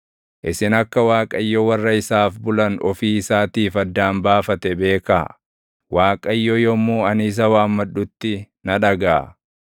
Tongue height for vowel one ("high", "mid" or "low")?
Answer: high